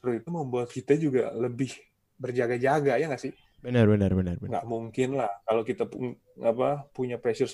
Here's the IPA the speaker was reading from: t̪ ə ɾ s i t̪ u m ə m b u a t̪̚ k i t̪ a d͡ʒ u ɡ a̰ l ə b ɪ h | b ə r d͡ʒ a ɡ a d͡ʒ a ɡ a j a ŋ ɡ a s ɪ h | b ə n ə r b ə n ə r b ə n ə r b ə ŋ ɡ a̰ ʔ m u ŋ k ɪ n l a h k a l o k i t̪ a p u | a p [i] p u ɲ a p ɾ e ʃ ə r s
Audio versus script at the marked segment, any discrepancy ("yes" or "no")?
yes